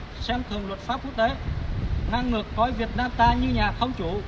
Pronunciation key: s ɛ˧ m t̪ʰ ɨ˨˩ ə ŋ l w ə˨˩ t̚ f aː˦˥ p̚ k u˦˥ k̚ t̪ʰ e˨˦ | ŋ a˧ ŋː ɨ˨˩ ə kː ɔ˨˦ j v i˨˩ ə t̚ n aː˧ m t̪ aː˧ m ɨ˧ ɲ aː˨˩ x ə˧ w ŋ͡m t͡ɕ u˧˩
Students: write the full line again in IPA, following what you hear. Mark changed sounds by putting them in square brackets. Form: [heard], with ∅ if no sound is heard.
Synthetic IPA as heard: s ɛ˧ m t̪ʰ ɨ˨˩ ə ŋ l w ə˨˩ t̚ f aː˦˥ p̚ k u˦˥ k̚ [t̪] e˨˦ | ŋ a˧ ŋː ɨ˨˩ ə kː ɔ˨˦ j v i˨˩ ə t̚ n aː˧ m t̪ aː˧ [ɲ] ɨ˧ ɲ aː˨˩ x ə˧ w ŋ͡m t͡ɕ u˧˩